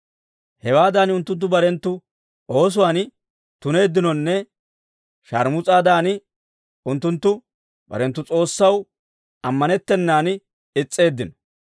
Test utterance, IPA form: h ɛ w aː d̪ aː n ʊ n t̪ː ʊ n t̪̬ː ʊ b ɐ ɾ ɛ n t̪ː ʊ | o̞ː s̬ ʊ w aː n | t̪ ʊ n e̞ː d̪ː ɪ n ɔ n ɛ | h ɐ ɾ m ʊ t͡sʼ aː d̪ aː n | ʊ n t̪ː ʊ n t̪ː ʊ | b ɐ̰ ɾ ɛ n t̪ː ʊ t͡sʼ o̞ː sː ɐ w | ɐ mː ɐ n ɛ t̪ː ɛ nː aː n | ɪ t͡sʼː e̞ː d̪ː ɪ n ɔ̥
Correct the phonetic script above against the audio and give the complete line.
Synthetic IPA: h ɛ w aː d̪ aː n ʊ n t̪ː ʊ n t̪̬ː ʊ b ɐ ɾ ɛ n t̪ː ʊ | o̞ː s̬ ʊ w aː n | t̪ ʊ n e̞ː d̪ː ɪ n ɔ nː ɛ | ʃ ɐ ɾ m ʊ t͡sʼ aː d̪ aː n | ʊ n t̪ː ʊ n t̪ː ʊ | b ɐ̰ ɾ ɛ n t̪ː ʊ t͡sʼ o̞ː sː ɐ w | ɐ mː ɐ n ɛ t̪ː ɛ nː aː n | ɪ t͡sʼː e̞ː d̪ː ɪ n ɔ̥